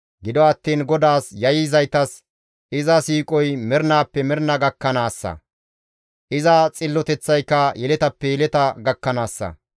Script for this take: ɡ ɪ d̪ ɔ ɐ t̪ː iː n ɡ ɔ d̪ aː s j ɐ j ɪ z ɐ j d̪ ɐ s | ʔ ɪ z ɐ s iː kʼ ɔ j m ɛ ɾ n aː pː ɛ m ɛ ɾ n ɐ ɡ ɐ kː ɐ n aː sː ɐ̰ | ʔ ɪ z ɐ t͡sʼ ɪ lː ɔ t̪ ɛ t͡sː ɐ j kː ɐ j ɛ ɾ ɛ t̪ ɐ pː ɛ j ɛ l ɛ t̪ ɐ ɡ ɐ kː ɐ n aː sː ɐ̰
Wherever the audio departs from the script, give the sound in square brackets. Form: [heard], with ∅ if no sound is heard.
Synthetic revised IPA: ɡ ɪ d̪ ɔ ɐ t̪ː iː n ɡ ɔ d̪ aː s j ɐ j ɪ z ɐ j [t̪] ɐ s | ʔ ɪ z ɐ s iː kʼ ɔ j m ɛ ɾ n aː pː ɛ m ɛ ɾ n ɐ ɡ ɐ kː ɐ n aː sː ɐ̰ | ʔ ɪ z ɐ t͡sʼ ɪ lː ɔ t̪ ɛ t͡sː ɐ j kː ɐ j ɛ [l] ɛ t̪ ɐ pː ɛ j ɛ l ɛ t̪ ɐ ɡ ɐ kː ɐ n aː sː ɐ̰